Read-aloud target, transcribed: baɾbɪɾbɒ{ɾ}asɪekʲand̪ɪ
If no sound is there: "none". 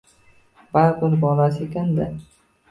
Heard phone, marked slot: l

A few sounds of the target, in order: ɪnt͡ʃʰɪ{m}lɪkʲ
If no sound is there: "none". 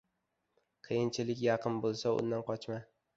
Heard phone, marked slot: none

